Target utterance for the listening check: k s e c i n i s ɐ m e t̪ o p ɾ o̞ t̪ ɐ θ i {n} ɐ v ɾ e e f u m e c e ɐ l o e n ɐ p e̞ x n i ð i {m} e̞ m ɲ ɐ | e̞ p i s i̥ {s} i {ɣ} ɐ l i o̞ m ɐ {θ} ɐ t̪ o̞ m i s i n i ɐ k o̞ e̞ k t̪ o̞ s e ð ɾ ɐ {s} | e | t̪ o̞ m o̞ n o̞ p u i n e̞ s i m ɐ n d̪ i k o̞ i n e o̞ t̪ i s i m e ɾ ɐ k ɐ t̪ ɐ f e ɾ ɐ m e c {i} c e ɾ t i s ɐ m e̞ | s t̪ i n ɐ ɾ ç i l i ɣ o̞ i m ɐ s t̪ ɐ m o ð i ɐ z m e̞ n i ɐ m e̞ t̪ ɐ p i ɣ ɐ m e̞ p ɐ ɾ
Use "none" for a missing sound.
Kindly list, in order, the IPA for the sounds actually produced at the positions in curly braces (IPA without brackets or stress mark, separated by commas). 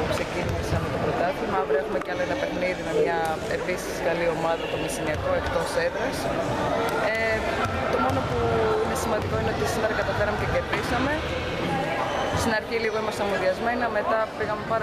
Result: m, m, s, ɣ, ð, s, e